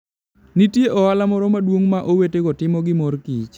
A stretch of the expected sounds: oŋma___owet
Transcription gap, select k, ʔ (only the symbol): ʔ